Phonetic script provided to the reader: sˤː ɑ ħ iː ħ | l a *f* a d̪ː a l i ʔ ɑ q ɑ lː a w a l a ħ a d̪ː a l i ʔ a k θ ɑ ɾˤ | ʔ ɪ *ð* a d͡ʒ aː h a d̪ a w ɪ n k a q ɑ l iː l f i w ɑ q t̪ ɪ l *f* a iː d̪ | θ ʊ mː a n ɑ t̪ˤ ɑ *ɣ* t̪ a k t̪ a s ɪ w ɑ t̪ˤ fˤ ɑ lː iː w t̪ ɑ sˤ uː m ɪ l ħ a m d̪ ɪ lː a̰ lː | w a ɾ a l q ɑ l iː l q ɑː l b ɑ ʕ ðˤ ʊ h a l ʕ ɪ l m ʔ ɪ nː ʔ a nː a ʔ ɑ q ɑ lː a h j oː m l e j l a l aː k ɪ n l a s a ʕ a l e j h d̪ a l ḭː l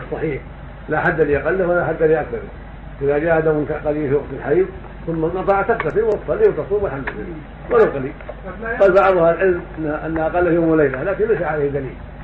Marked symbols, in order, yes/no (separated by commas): no, yes, no, no